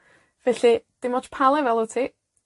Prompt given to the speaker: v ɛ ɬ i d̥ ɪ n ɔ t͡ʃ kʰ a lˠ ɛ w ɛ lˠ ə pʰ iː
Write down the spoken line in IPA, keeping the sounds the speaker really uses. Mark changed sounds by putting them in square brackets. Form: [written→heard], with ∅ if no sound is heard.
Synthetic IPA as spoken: v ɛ ɬ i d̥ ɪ [n→m] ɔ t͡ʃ [kʰ→pʰ] a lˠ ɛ [w→v] ɛ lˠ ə [pʰ→tʰ] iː